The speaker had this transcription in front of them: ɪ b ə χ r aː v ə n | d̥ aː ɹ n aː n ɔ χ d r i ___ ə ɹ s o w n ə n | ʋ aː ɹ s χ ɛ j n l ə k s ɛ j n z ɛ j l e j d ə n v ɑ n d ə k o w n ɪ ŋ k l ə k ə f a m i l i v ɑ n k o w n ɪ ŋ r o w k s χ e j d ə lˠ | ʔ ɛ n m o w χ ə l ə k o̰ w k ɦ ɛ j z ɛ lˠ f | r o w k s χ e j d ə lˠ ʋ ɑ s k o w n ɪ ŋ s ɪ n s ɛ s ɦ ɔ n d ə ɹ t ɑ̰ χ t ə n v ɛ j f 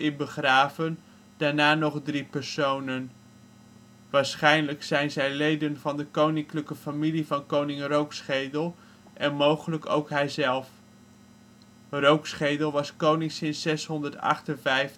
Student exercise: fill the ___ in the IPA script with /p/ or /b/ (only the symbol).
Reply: p